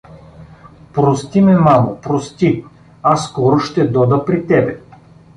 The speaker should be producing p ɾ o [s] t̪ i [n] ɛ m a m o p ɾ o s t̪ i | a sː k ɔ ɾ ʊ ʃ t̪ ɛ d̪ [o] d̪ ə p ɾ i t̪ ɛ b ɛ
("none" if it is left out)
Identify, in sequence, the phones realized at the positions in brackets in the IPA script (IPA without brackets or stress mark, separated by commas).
s, m, ɔ